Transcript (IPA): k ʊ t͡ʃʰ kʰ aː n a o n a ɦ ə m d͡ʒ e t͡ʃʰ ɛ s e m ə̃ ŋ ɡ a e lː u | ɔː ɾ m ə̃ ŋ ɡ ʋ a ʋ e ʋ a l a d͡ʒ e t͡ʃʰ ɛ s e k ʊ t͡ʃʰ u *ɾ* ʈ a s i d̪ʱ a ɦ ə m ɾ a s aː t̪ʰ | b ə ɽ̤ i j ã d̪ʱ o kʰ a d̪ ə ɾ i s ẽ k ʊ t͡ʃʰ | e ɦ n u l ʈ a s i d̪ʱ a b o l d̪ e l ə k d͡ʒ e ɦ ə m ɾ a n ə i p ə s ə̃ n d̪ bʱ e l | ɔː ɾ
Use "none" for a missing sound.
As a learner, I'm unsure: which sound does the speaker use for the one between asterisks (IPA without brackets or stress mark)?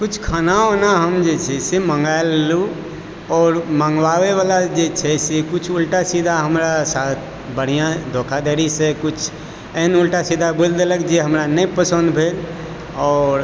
l